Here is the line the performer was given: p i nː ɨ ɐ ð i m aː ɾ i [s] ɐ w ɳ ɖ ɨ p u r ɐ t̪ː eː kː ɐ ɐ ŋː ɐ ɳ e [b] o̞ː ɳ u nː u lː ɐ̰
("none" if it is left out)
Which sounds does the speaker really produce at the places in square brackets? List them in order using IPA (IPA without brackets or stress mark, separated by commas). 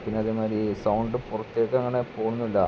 s, p